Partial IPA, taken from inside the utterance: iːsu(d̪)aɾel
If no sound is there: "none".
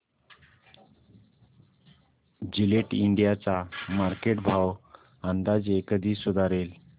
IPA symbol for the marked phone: d̪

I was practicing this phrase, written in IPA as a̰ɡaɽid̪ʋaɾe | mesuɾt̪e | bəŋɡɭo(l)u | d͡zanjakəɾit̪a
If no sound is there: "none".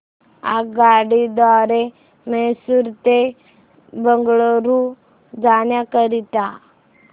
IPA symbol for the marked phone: ɾ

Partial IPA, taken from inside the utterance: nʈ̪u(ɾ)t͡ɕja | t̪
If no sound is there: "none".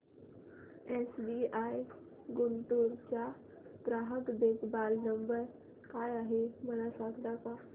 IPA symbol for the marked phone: ɾ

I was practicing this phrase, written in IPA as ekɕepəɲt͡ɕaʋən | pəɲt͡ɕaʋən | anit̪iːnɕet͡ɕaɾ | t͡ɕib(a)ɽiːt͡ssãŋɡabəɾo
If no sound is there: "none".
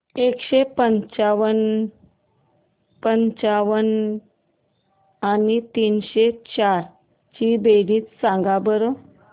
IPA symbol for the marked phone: e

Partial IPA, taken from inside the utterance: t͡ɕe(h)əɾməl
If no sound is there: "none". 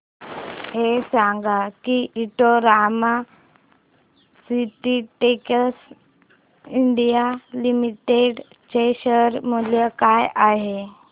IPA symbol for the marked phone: ɕ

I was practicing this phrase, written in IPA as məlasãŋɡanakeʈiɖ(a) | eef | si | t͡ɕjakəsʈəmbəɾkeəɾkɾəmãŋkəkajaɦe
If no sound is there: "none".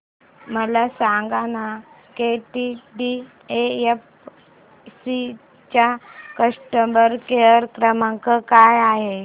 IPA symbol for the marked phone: i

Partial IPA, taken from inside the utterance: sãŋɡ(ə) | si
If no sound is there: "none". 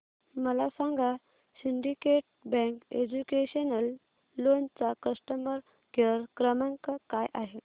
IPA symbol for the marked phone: a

